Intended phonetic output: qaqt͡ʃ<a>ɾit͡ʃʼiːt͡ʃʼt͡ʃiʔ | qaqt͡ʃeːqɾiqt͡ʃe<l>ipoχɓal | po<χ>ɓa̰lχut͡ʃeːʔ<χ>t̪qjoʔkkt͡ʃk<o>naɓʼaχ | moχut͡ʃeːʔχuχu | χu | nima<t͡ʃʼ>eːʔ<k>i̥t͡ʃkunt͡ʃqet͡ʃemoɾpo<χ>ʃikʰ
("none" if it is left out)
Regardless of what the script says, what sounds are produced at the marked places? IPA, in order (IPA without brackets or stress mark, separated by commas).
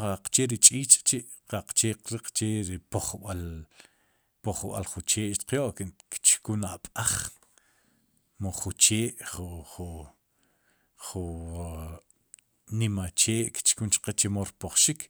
e, ɾ, χ, ʃ, u, t͡ʃ, k, χ